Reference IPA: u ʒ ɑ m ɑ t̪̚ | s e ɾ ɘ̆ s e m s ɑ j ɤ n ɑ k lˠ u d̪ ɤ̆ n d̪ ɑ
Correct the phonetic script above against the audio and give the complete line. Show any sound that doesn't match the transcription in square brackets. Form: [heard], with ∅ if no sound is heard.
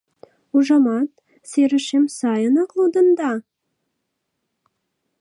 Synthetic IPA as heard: u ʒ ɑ m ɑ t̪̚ | s e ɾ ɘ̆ [ʃ] e m s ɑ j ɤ n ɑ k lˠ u d̪ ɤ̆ n d̪ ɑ